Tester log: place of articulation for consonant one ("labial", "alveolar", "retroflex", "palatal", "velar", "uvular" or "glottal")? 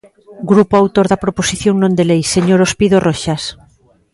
velar